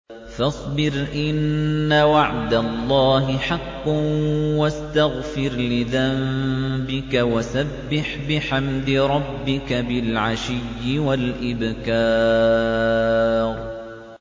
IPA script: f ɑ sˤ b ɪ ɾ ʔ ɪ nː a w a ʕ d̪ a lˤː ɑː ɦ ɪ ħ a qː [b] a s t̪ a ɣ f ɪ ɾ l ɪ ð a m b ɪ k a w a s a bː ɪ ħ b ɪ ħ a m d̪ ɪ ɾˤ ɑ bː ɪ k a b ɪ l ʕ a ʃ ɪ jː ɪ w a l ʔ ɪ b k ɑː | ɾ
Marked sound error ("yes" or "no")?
yes